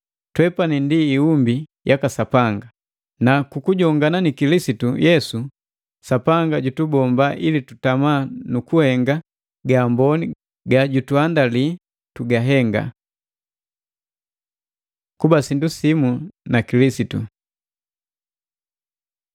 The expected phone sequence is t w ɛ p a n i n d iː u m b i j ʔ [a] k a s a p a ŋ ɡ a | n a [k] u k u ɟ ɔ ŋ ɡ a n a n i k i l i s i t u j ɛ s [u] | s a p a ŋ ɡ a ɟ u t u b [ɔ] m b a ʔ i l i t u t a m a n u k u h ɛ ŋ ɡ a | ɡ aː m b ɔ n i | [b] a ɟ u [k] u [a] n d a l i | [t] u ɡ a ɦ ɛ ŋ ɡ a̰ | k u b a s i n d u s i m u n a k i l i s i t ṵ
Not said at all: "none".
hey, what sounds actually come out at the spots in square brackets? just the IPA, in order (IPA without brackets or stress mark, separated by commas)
a, k, u, ɔ, ɡ, t, a, t